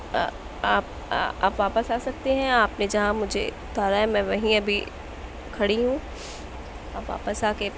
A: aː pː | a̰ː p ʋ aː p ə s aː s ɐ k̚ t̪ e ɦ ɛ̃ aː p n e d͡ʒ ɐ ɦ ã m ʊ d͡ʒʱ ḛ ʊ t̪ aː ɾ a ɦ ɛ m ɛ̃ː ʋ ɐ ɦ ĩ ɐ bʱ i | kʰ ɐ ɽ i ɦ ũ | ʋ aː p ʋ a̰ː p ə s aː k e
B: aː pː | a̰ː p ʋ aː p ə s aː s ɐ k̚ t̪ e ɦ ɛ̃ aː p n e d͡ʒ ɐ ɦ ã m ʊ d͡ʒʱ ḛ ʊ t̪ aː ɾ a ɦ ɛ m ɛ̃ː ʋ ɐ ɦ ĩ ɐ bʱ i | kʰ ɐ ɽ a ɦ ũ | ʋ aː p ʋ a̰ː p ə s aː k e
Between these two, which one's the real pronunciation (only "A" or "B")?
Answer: A